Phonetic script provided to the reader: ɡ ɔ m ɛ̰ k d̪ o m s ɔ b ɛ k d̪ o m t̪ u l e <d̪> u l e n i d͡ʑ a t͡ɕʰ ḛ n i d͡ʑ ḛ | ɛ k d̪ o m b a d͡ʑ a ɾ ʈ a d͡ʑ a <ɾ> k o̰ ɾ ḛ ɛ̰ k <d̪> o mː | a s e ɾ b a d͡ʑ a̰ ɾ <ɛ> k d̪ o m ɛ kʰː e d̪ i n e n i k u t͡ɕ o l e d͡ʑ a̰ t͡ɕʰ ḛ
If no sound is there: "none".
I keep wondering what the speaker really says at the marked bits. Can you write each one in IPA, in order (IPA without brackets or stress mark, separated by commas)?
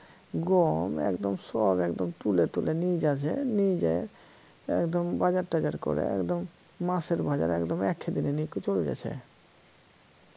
t̪, ɾ, d̪, ɛ